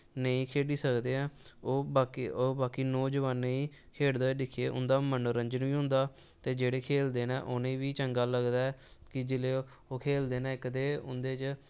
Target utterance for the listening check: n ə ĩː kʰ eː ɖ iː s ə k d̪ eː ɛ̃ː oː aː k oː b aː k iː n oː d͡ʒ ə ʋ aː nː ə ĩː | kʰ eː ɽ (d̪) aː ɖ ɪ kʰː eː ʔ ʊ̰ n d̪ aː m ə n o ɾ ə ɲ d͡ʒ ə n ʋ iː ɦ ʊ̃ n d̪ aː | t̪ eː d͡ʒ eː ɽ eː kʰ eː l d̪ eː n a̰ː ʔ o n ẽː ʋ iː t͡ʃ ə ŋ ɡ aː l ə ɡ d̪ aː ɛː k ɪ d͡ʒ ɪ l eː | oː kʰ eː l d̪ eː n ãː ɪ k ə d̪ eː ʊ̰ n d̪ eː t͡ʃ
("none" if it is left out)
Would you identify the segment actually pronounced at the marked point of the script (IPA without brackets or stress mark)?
d̪